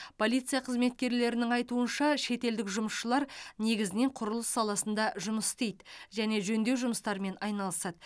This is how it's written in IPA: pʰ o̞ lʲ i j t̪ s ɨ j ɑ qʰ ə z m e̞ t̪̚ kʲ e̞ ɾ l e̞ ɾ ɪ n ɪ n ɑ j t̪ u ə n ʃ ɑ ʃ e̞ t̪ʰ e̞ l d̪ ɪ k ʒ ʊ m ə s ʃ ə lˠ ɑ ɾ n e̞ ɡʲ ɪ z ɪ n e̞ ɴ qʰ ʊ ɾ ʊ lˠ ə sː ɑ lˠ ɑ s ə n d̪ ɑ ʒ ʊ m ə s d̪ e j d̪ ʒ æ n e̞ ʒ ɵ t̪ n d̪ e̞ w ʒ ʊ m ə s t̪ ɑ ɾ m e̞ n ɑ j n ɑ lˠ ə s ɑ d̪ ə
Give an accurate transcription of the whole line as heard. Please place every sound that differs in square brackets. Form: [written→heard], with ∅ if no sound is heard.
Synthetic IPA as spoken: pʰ o̞ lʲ i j t̪ s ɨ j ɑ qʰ ə z m e̞ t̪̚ kʲ e̞ ɾ l e̞ ɾ ɪ n ɪ [n→ŋ] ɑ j t̪ u ə n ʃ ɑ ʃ e̞ [t̪ʰ→t̪] e̞ l d̪ ɪ k ʒ ʊ m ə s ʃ ə lˠ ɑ ɾ n e̞ ɡʲ ɪ z ɪ n e̞ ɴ qʰ ʊ ɾ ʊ lˠ ə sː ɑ lˠ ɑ s ə n d̪ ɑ ʒ ʊ m ə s [d̪→t̪] e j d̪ ʒ æ n e̞ ʒ ɵ [t̪→∅] n d̪ e̞ w ʒ ʊ m ə s t̪ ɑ ɾ m e̞ n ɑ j n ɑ lˠ ə s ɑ d̪ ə

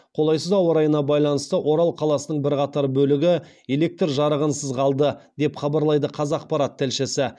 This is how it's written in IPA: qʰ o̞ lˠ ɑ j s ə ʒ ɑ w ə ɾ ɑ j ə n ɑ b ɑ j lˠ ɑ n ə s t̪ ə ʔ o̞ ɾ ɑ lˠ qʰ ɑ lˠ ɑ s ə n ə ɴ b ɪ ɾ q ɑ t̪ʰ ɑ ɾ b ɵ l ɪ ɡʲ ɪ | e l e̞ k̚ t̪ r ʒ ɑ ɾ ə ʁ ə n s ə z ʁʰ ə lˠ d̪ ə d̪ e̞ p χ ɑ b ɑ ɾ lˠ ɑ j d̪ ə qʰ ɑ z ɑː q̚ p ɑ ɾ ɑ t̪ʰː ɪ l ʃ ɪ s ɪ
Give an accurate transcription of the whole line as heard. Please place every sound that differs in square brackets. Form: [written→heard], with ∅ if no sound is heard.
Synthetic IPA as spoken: qʰ o̞ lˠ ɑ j s ə [ʒ→z] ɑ w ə ɾ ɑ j ə n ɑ b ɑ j lˠ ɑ n ə s t̪ ə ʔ o̞ ɾ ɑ lˠ qʰ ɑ lˠ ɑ s ə n ə ɴ b ɪ ɾ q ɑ [t̪ʰ→t̪] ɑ ɾ b ɵ l ɪ ɡʲ ɪ | e l e̞ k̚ t̪ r ʒ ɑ ɾ ə ʁ ə n s ə z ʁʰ [ə→ɑ] lˠ d̪ ə d̪ e̞ p χ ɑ b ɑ ɾ lˠ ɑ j d̪ ə qʰ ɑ z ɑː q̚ p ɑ ɾ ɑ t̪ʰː ɪ l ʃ ɪ s ɪ

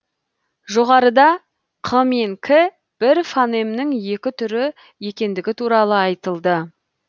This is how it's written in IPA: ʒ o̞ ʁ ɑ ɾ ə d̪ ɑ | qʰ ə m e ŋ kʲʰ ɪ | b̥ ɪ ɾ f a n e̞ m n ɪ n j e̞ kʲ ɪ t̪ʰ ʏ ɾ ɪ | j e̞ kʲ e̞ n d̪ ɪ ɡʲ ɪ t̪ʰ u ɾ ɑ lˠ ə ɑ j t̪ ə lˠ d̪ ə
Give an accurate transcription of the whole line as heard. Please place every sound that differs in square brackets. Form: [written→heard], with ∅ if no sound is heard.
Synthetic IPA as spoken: ʒ o̞ ʁ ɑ ɾ ə d̪ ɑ | qʰ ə m e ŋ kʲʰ ɪ | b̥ ɪ ɾ f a n e̞ m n ɪ [n→ŋ] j e̞ kʲ ɪ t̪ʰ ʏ ɾ ɪ | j e̞ kʲ e̞ n d̪ ɪ ɡʲ ɪ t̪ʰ u ɾ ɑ lˠ ə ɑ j t̪ ə lˠ d̪ ə

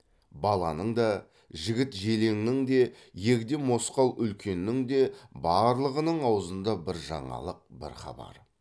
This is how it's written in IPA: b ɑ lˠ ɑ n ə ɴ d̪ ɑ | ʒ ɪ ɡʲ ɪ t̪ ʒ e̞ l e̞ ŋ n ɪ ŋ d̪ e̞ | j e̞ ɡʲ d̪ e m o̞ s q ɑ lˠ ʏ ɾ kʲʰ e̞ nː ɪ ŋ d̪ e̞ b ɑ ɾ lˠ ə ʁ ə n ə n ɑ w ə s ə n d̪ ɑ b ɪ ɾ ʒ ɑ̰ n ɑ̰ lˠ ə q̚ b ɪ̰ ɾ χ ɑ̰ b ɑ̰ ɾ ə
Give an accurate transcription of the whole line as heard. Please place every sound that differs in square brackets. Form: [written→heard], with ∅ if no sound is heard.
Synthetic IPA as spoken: b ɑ lˠ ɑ n ə ɴ d̪ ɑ | ʒ ɪ ɡʲ ɪ t̪ ʒ e̞ l e̞ ŋ n ɪ ŋ d̪ e̞ | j e̞ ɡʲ d̪ e m o̞ s q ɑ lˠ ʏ [ɾ→l] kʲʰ e̞ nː ɪ ŋ d̪ e̞ b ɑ ɾ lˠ ə ʁ ə n ə [n→ɴ] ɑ w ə [s→z] ə n d̪ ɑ b ɪ ɾ ʒ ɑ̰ [n→ɴ] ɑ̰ lˠ ə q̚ b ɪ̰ ɾ χ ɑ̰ b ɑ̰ ɾ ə

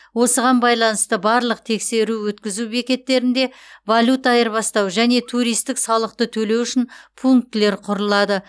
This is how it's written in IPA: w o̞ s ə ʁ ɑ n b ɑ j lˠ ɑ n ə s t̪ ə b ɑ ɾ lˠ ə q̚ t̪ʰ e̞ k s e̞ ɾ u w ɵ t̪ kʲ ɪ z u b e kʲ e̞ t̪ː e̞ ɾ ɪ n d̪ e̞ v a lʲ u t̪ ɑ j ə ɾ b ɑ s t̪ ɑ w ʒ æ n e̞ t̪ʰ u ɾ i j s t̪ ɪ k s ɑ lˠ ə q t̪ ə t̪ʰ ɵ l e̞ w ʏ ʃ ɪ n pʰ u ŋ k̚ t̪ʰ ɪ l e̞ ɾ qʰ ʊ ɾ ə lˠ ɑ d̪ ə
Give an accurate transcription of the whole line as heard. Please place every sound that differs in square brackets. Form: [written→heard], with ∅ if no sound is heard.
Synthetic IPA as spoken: w o̞ s ə ʁ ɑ n b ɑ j lˠ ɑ n ə s t̪ ə b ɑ ɾ lˠ ə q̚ t̪ʰ e̞ k s e̞ ɾ u w ɵ t̪ kʲ ɪ z u b e kʲ e̞ t̪ː e̞ ɾ ɪ n d̪ e̞ v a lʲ u t̪ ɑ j ə ɾ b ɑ s t̪ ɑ w ʒ æ n e̞ t̪ʰ u ɾ i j s t̪ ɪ k s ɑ lˠ ə q t̪ ə t̪ʰ ɵ l e̞ w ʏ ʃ ɪ n pʰ u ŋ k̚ [t̪ʰ→t̪] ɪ l e̞ ɾ qʰ ʊ ɾ ə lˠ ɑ d̪ ə

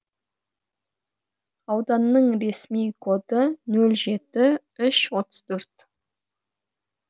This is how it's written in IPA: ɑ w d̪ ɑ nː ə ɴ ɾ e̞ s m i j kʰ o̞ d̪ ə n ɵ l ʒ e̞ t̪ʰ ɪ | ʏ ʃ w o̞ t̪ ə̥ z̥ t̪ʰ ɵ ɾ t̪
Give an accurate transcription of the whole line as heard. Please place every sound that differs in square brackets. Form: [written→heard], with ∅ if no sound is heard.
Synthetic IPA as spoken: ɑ w d̪ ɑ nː ə ɴ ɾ e̞ s m i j kʰ o̞ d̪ ə n ɵ l ʒ e̞ [t̪ʰ→t̪] ɪ | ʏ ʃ w o̞ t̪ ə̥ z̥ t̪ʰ ɵ ɾ t̪

